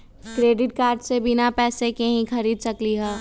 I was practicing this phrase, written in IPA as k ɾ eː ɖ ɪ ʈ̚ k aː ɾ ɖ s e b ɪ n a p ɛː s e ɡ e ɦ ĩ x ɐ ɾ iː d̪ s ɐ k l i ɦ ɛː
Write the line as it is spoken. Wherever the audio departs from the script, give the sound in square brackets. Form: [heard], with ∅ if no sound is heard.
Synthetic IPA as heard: k ɾ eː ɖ ɪ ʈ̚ k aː ɾ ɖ s e b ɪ n a p ɛː s e [k] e ɦ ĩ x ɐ ɾ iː d̪ s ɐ k l i ɦ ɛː

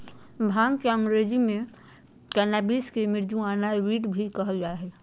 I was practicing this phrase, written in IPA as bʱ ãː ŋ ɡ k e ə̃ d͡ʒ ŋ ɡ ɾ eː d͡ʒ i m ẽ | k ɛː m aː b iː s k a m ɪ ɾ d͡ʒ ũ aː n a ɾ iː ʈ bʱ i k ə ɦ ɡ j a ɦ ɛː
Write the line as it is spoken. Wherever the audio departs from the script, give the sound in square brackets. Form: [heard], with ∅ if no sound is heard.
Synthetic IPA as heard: bʱ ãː ŋ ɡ k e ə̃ [∅] ŋ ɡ ɾ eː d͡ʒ i m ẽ | k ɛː [n] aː b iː s k [e] m ɪ ɾ d͡ʒ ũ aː n a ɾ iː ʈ bʱ i k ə ɦ ɡ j a ɦ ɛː

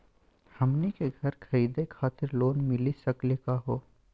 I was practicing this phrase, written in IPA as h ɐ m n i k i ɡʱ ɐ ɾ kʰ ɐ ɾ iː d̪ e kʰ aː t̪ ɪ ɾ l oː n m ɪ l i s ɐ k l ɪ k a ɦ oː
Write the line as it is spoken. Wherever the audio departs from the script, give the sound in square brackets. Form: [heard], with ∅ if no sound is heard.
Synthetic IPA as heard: h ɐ m n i k [e] ɡʱ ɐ ɾ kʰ ɐ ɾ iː d̪ e kʰ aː t̪ ɪ ɾ l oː n m ɪ l i s ɐ k l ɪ k a ɦ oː

